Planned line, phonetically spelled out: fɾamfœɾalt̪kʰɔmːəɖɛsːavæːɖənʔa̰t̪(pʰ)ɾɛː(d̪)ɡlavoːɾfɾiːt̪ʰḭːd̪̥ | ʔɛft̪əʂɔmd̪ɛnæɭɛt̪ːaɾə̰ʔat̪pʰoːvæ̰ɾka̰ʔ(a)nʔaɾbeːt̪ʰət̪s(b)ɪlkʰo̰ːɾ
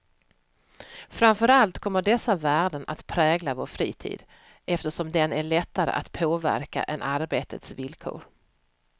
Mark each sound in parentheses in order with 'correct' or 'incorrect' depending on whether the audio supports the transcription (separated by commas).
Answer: correct, incorrect, incorrect, incorrect